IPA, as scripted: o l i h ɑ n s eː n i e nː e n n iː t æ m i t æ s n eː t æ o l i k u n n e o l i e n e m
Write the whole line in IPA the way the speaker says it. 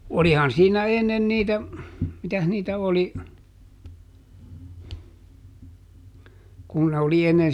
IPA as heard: o l i h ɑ n s iː n æ e nː e n n iː t æ m i t æ h n iː t æ o l i k u n n e o l i e nː e n